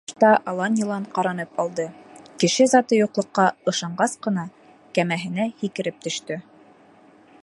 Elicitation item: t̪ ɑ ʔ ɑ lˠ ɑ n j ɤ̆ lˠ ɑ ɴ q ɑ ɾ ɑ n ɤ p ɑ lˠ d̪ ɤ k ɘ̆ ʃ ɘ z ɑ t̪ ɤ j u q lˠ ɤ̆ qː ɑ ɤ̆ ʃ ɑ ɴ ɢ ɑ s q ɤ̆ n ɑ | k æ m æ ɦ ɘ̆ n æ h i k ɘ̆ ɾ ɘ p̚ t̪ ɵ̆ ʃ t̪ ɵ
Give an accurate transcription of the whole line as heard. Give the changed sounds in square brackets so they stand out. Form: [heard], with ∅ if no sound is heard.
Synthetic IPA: t̪ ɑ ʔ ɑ lˠ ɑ n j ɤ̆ lˠ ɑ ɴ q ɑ ɾ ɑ n ɤ p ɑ lˠ d̪ ɤ k ɘ̆ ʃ ɘ z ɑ t̪ ɤ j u q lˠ ɤ̆ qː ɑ ɤ̆ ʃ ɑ ɴ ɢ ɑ s q ɤ̆ n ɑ | k æ m æ ɦ ɘ̆ n æ h i k ɘ̆ ɾ ɘ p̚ t̪ ɵ̆ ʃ t̪ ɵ